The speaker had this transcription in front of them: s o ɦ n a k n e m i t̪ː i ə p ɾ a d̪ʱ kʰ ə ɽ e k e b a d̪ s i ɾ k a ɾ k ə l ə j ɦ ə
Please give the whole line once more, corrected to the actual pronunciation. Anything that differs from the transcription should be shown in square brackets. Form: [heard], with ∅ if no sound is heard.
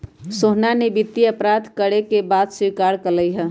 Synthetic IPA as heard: s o ɦ n a [∅] n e [b] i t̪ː i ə p ɾ a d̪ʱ [k] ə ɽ e k e b a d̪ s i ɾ k a ɾ k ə l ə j ɦ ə